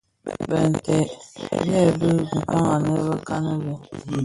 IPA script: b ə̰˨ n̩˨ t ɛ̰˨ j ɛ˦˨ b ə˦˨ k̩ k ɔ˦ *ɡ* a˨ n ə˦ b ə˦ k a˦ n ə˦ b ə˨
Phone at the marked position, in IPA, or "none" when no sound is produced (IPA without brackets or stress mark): ŋ